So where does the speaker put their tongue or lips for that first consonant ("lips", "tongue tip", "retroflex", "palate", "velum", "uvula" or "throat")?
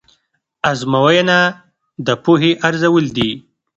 tongue tip